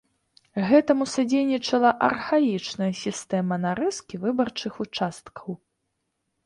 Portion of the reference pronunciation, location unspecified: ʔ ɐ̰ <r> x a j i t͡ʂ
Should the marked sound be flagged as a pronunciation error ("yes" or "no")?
no